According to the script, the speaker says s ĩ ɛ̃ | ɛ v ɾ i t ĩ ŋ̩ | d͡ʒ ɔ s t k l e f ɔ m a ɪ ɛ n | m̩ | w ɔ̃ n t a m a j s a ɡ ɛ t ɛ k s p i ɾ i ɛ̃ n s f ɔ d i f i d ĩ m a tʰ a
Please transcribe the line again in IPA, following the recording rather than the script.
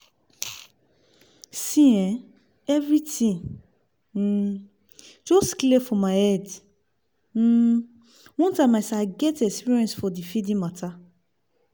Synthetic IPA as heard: s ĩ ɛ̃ | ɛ v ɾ i t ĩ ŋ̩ | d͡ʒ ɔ s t k l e f ɔ m a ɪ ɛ d | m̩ | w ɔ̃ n t a m a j s a ɡ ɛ t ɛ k s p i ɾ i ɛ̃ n s f ɔ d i f i d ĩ m a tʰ a